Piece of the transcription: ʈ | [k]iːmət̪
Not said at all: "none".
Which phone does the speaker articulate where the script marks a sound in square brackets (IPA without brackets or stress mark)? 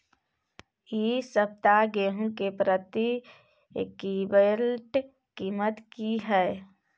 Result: k